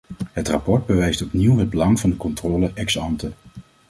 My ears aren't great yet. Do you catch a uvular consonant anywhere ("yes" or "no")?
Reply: no